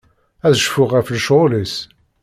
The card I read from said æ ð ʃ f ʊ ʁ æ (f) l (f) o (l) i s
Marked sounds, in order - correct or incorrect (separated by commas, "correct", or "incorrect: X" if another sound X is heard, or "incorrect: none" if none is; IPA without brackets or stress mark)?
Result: correct, incorrect: ʃ, correct